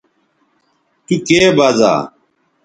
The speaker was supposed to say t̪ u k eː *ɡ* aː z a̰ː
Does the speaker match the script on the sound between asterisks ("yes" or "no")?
no